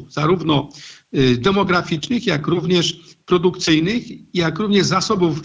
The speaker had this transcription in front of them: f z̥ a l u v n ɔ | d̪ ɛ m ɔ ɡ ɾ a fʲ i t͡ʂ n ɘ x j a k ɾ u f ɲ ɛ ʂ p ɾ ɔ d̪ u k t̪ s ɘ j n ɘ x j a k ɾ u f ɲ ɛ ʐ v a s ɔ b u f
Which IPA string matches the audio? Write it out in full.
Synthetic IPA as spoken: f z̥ a ɾ u v n ɔ | d̪ ɛ m ɔ ɡ ɾ a fʲ i t͡ʂ n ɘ x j a k ɾ u v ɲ ɛ ʂ p ɾ ɔ d̪ u k t̪ s ɘ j n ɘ x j a k ɾ u v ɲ ɛ ʐ z a s ɔ b u f